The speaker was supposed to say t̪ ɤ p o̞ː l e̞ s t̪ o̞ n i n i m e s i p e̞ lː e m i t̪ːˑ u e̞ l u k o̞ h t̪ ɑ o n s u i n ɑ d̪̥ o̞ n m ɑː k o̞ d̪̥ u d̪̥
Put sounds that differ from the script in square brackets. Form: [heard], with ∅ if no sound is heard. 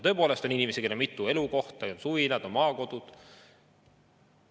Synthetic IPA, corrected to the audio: t̪ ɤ p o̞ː l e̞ s t̪ o̞ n i n i m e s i [k] e̞ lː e m i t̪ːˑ u e̞ l u k o̞ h t̪ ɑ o n s u i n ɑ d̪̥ o̞ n m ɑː k o̞ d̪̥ u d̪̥